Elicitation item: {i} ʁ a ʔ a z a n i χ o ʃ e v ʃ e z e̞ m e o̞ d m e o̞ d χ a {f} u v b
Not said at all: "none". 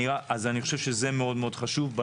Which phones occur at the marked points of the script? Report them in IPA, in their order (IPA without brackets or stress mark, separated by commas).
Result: i, ʃ